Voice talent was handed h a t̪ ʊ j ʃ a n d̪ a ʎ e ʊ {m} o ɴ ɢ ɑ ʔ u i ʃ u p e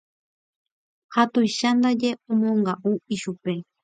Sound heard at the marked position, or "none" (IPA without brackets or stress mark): m